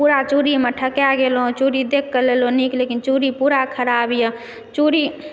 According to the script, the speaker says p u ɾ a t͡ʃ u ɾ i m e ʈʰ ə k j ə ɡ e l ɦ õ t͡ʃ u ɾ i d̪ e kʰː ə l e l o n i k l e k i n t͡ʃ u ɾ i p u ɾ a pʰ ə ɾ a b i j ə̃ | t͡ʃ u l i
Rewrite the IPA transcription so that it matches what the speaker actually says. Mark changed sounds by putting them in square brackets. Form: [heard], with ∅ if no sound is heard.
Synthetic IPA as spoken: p u ɾ a t͡ʃ u ɾ i m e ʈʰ ə k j [a] ɡ e l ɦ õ t͡ʃ u ɾ i d̪ e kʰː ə l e l o n i k l e k i n t͡ʃ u ɾ i p u ɾ a [kʰ] ə ɾ a b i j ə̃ | t͡ʃ u [ɾ] i